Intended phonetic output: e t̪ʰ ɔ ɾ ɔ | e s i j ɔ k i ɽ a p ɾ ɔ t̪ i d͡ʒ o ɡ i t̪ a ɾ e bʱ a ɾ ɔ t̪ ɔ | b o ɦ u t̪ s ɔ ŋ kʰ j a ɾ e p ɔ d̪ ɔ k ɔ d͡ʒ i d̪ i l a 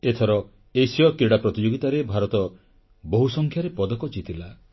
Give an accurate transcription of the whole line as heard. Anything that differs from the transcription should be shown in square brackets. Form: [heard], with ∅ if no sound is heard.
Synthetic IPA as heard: e t̪ʰ ɔ ɾ ɔ | e s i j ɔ k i ɽ a p ɾ ɔ t̪ i d͡ʒ o ɡ i t̪ a ɾ e bʱ a ɾ ɔ t̪ ɔ | b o ɦ u [∅] s ɔ ŋ kʰ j a ɾ e p ɔ d̪ ɔ k ɔ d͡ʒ i [t̪] i l a